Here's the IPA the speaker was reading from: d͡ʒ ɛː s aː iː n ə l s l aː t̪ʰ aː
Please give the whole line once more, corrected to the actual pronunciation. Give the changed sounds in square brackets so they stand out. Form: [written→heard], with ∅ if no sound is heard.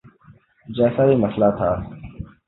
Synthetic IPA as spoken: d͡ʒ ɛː s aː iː [n→m] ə [l→∅] s l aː t̪ʰ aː